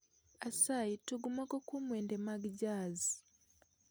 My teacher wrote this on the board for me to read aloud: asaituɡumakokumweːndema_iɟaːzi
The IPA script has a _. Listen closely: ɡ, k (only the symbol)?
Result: ɡ